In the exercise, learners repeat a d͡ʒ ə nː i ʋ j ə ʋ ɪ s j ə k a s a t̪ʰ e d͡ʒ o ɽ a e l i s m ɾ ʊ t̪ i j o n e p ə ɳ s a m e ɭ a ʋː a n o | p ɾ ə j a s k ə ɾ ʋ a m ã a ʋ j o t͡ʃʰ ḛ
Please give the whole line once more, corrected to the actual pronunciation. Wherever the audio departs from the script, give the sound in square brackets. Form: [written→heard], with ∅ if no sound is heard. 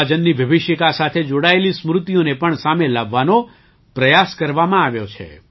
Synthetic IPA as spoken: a d͡ʒ ə nː i ʋ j ə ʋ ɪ [s→ʃ] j ə k a s a t̪ʰ e d͡ʒ o ɽ a e l i s m ɾ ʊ t̪ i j o n e p ə ɳ s a m e [ɭ→l] a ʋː a n o | p ɾ ə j a s k ə ɾ ʋ a m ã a ʋ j o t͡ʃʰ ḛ